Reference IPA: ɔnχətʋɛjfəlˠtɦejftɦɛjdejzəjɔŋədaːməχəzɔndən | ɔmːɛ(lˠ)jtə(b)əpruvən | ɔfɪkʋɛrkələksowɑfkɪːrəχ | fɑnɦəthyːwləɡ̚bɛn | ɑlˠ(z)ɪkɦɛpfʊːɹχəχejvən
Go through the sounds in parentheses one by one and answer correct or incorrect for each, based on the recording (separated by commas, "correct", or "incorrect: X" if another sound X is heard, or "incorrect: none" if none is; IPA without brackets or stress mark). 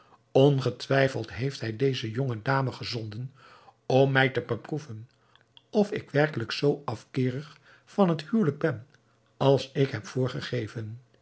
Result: incorrect: none, correct, incorrect: s